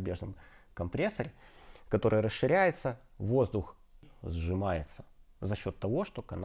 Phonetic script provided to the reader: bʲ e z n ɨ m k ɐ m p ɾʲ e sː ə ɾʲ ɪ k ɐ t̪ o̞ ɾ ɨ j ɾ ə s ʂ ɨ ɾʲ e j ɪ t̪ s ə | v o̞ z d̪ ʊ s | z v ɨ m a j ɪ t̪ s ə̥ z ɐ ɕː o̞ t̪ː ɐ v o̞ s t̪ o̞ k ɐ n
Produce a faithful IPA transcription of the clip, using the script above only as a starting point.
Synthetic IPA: bʲ e ʐ n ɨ m k ɐ m p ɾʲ e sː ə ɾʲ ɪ k ɐ t̪ o̞ ɾ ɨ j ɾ ə s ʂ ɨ ɾʲ æ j ɪ t̪ s ə | v o̞ z d̪ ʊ x | z ʐ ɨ m a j ɪ t̪ s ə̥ z ɐ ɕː o̞ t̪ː ɐ v o̞ ʂ t̪ o̞ k ɐ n